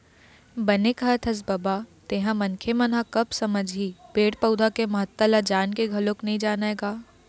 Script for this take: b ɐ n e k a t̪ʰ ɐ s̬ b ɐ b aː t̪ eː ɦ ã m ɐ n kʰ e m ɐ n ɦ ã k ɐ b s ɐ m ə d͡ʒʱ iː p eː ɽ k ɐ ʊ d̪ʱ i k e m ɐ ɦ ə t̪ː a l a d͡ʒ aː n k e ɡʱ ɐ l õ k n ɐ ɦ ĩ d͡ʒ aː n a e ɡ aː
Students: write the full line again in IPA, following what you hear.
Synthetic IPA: b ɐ n e k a t̪ʰ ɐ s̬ b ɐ b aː t̪ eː ɦ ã m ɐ n kʰ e m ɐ n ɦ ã k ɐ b s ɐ m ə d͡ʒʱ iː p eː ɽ p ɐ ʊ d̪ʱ a k e m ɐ ɦ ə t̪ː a l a d͡ʒ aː n k e ɡʱ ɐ l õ k n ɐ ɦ ĩ d͡ʒ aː n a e ɡ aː